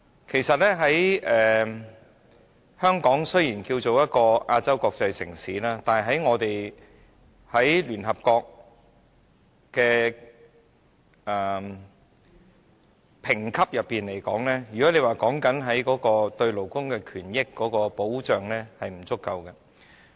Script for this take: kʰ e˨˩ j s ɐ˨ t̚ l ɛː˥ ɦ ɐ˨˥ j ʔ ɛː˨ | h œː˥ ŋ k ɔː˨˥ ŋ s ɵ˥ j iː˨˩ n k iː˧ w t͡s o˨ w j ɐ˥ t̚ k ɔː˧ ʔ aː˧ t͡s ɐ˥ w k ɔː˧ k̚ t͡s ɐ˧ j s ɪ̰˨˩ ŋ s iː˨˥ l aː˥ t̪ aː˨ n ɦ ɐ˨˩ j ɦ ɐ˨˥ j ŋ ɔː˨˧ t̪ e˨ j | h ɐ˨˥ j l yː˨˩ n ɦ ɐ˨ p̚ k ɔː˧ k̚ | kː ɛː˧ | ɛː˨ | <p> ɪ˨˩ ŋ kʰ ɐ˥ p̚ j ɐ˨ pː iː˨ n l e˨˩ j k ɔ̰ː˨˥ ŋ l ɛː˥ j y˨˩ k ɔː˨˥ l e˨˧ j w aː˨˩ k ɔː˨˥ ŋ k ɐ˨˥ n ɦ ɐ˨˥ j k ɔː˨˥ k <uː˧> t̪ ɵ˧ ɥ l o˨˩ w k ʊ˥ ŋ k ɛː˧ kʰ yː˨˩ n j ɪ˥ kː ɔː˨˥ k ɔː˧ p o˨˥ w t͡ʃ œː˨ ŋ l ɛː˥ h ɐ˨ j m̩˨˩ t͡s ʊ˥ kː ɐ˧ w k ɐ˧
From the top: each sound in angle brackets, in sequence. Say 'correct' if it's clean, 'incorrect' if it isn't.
incorrect: pʰ, incorrect: ɔː˧

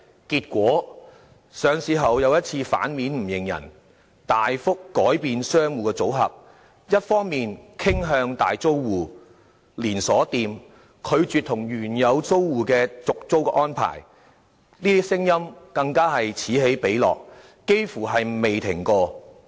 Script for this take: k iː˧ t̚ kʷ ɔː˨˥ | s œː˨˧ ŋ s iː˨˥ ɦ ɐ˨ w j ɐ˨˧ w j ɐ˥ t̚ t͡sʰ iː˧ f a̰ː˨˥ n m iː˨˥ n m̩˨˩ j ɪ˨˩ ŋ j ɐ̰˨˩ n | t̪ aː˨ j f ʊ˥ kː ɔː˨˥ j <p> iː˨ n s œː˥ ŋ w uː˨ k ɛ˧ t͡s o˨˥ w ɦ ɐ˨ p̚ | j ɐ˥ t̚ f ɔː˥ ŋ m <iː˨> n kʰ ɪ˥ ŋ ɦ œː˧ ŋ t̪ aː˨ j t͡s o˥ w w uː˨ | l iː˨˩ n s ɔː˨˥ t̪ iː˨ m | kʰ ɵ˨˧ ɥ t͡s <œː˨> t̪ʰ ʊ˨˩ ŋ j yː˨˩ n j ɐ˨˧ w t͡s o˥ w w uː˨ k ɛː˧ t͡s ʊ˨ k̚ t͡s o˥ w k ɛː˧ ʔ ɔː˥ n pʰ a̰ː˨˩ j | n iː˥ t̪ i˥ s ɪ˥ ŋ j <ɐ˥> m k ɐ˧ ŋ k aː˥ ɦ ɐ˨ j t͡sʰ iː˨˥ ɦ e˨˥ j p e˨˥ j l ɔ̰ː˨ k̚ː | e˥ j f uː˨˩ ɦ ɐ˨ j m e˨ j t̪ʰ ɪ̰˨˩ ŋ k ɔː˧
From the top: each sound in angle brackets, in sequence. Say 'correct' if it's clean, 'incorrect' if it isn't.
correct, correct, incorrect: yː˨, correct

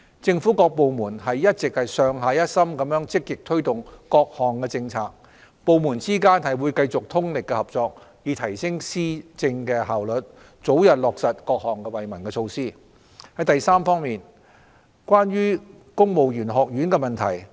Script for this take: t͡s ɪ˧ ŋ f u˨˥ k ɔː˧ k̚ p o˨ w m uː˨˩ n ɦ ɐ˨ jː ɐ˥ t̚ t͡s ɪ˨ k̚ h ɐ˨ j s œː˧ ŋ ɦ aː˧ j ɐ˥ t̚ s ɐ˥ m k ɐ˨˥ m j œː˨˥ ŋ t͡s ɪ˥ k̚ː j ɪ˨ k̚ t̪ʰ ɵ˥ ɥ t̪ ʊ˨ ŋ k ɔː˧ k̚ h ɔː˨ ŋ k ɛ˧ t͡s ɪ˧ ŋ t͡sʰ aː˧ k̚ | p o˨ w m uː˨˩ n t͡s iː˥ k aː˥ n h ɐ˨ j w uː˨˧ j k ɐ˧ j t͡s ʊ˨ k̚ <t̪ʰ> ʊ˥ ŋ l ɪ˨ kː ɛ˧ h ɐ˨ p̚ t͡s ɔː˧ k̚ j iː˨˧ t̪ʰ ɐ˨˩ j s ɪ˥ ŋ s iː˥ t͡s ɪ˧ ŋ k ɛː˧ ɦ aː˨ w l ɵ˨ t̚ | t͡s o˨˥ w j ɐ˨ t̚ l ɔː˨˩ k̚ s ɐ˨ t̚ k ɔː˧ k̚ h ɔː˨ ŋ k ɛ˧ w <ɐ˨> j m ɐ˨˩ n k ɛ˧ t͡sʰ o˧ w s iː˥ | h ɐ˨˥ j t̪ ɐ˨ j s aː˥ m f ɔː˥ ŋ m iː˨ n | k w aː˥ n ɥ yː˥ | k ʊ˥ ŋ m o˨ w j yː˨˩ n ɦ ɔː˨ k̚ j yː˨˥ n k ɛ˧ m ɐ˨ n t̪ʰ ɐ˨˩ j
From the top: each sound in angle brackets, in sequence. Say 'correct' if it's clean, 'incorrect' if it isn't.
correct, correct

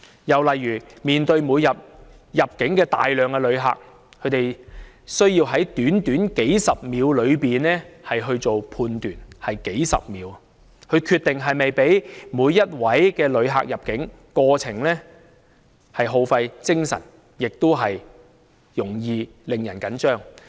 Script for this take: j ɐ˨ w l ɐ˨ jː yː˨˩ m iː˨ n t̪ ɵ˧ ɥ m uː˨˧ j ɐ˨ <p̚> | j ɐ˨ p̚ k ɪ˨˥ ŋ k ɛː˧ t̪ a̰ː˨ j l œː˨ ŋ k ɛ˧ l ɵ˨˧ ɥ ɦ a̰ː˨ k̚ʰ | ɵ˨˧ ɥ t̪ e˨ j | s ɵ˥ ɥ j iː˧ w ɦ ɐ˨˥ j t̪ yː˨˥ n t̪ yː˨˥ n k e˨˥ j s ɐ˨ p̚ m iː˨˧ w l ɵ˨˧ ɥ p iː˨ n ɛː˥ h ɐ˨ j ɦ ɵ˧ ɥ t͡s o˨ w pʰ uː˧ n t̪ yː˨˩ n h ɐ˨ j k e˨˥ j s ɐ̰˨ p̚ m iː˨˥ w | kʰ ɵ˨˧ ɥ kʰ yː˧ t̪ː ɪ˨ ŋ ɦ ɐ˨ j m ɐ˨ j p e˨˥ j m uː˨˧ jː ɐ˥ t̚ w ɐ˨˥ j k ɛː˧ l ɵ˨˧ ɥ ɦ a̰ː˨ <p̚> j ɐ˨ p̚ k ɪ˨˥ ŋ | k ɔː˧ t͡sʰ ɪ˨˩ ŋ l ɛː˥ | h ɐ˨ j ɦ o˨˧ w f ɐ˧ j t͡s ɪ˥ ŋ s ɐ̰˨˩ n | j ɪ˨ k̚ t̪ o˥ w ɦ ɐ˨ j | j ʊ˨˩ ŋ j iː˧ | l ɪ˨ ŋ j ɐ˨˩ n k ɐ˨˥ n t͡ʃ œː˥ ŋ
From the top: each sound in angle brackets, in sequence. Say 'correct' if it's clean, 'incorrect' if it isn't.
correct, incorrect: k̚

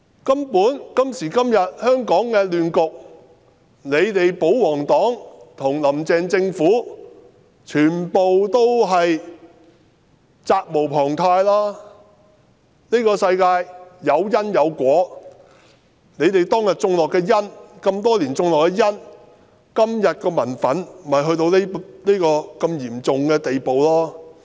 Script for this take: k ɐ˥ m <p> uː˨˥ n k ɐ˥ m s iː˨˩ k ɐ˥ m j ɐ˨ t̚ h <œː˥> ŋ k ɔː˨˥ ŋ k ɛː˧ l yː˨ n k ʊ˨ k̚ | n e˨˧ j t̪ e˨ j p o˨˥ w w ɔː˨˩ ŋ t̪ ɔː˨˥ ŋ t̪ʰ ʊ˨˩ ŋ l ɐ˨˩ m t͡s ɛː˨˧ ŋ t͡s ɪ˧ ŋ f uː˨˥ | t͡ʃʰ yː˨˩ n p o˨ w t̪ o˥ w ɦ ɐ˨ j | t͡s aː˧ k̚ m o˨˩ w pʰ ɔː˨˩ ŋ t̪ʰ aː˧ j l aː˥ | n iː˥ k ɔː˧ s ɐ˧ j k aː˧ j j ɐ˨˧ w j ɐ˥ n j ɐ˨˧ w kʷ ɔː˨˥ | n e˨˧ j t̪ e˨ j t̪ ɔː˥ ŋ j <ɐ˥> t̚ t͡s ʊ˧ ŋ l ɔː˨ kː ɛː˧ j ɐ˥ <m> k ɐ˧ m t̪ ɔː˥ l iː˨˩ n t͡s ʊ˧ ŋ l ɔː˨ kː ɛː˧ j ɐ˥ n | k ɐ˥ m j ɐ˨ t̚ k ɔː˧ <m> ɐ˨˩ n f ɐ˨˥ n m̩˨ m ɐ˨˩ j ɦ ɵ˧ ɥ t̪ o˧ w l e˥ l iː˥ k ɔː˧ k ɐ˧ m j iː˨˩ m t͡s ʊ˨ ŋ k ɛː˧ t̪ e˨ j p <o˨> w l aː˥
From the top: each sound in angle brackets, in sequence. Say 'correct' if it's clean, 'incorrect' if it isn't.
correct, correct, incorrect: ɐ˨˩, incorrect: n, correct, correct

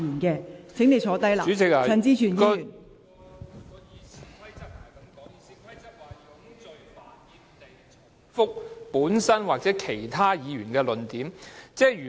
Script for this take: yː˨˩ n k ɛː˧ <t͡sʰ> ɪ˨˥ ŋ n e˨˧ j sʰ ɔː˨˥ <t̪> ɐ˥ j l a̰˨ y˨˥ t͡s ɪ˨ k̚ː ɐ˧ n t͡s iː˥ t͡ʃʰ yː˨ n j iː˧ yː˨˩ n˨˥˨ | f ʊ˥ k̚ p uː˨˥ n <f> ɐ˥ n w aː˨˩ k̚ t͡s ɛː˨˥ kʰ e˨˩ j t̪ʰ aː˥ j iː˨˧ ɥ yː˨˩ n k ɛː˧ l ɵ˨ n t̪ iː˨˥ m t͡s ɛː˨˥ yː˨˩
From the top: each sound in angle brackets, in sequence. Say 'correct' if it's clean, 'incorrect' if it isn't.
correct, correct, incorrect: s

